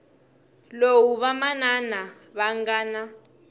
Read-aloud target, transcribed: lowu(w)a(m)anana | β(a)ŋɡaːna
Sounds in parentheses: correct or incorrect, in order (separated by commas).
incorrect, correct, correct